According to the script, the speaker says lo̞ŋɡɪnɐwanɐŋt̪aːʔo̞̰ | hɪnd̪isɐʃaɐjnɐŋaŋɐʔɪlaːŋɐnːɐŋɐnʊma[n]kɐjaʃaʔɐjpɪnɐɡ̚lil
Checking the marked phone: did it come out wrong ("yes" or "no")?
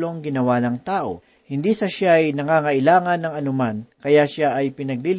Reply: no